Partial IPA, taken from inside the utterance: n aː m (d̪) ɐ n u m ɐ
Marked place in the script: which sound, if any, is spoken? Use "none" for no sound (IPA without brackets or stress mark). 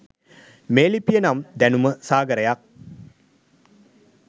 d̪